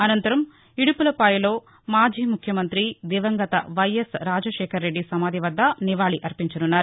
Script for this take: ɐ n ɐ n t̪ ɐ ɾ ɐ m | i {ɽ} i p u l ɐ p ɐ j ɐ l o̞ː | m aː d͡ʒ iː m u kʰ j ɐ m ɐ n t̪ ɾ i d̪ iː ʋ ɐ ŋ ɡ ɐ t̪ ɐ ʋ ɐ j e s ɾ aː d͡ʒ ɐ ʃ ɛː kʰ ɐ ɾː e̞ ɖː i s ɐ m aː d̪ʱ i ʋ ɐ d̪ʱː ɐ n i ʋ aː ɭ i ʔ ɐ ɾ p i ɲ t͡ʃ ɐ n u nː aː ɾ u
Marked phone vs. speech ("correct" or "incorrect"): correct